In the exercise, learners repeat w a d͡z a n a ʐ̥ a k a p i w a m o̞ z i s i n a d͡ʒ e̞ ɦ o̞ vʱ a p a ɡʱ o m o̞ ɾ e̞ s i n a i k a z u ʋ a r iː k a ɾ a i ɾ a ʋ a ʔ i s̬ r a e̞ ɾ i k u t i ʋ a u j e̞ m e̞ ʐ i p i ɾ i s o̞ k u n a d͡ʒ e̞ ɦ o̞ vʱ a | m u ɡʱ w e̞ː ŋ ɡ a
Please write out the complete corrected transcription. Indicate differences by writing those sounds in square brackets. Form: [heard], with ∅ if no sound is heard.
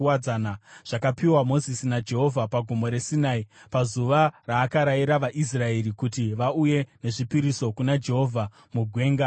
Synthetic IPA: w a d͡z a n a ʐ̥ a k a p i w a m o̞ z i s i n a d͡ʒ e̞ ɦ o̞ vʱ a p a ɡʱ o m o̞ ɾ e̞ s i n a i [p] a z u ʋ a r [aː] k a ɾ a i ɾ a ʋ a ʔ i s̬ r a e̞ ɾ i k u t i ʋ a u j e̞ [n] e̞ ʐ i p i ɾ i s o̞ k u n a d͡ʒ e̞ ɦ o̞ vʱ a | m u ɡʱ w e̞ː ŋ ɡ a